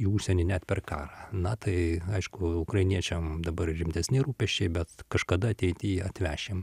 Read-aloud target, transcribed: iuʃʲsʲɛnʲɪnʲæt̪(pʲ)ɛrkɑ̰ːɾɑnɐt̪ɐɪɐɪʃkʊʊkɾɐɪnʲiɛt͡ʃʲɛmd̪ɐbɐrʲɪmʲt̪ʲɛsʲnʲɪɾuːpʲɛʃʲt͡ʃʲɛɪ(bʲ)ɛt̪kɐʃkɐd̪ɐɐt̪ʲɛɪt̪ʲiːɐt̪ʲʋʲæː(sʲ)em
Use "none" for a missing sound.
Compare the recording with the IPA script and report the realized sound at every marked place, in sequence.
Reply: pʲ, bʲ, ʃʲ

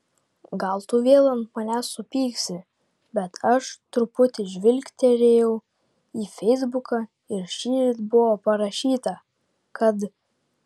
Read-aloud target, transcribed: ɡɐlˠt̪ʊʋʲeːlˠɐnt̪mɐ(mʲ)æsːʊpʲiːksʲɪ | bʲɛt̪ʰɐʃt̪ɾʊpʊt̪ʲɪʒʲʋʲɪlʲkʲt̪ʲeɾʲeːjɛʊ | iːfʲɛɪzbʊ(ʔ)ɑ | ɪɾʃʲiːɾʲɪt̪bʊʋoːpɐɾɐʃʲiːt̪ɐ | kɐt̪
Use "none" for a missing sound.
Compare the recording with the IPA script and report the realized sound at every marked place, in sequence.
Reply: nʲ, k

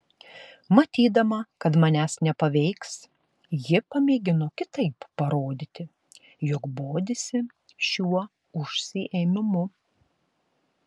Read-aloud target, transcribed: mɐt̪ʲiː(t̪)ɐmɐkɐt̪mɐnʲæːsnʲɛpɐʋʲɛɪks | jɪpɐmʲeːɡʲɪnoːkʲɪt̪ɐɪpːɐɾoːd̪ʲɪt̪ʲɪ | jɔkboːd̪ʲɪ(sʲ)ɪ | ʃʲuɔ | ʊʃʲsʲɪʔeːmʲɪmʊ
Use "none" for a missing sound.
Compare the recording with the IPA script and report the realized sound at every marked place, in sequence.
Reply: d̪, sʲ

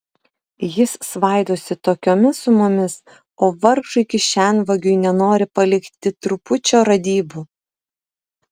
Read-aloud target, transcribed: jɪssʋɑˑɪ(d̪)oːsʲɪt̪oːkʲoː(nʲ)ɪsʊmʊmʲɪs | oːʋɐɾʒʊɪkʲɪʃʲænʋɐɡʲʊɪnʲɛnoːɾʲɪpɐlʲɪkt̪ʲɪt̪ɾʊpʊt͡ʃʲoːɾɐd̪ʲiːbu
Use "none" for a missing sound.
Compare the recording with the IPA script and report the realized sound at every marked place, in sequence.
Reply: d̪, mʲ

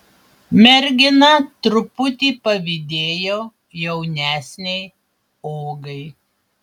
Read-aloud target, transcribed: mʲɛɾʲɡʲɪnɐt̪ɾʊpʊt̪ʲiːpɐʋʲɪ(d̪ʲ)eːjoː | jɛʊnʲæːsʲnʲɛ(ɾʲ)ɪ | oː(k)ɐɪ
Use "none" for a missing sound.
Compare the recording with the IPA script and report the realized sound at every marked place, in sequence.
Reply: d̪ʲ, none, ɡ

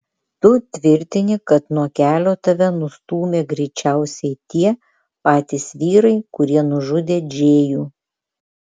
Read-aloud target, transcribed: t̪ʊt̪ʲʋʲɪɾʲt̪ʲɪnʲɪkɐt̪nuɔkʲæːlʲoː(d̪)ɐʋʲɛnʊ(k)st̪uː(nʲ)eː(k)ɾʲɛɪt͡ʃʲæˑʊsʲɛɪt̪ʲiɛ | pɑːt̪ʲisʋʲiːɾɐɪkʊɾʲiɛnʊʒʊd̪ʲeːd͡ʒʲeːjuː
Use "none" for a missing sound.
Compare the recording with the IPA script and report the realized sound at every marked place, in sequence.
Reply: t̪, none, mʲ, ɡ

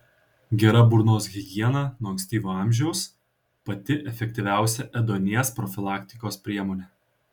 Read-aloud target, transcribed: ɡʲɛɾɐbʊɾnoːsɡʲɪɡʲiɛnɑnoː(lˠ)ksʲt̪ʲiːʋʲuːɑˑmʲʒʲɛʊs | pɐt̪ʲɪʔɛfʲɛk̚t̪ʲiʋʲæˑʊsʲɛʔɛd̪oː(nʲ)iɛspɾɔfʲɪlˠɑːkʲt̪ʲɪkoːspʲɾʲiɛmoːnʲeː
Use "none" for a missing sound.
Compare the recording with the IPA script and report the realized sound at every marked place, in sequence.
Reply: none, nʲ

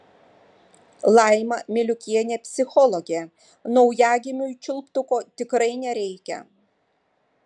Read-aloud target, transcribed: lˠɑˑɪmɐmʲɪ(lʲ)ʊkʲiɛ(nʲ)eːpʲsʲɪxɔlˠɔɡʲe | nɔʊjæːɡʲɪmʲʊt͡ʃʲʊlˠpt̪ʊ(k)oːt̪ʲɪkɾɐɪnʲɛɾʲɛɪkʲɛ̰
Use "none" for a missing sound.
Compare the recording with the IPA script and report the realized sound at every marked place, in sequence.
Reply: lʲ, nʲ, k

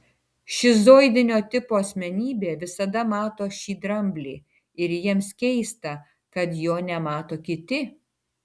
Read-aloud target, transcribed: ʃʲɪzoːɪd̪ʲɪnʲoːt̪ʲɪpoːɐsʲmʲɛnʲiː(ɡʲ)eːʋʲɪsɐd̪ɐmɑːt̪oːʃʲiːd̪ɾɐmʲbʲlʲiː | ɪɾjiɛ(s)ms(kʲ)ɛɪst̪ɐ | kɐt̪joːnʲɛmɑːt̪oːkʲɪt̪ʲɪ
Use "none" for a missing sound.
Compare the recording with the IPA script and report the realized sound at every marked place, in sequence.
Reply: bʲ, none, kʲ

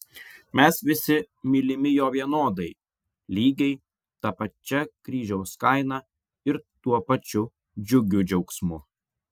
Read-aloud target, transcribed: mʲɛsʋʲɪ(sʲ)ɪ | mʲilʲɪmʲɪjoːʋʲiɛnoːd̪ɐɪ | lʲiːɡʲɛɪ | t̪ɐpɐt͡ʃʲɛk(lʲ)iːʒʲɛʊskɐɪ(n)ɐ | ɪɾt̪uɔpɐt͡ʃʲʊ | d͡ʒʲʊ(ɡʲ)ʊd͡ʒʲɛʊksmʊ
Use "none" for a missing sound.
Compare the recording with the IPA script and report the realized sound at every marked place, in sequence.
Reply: sʲ, ɾʲ, n, ɡʲ

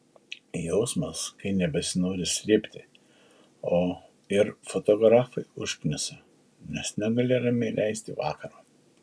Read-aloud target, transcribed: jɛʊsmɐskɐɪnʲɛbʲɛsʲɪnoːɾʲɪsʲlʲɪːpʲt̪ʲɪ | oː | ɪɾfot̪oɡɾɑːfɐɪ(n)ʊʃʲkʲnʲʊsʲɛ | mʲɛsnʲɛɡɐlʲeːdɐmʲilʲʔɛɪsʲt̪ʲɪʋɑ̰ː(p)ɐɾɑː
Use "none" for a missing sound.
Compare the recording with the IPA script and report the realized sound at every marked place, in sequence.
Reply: none, k

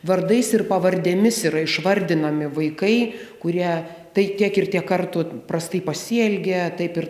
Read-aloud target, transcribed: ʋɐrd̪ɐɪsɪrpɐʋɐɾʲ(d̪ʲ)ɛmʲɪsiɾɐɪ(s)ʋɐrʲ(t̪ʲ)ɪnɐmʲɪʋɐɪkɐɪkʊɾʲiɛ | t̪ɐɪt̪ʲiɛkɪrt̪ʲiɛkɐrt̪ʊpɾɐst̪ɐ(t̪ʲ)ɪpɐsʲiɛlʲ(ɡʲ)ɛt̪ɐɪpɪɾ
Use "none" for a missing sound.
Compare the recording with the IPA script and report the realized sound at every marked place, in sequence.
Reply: d̪ʲ, ʃ, d̪ʲ, none, ɡʲ

